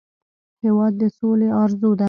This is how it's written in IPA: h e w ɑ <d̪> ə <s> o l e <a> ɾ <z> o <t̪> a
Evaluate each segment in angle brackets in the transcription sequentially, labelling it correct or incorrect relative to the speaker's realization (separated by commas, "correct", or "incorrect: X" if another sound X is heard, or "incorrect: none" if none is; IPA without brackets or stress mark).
incorrect: d̪ː, correct, incorrect: ɑ, correct, incorrect: d̪